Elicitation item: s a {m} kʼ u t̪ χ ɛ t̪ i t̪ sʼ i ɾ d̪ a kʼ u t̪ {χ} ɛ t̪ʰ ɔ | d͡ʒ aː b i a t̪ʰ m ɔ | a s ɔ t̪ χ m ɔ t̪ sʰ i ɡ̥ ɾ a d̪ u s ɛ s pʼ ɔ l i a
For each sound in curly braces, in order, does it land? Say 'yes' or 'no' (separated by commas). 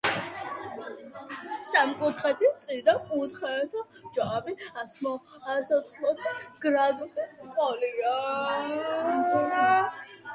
yes, yes